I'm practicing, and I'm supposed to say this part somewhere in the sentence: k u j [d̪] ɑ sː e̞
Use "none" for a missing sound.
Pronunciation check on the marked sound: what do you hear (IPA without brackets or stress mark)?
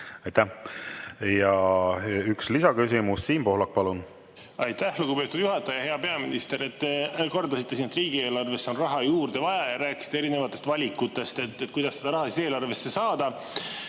d̪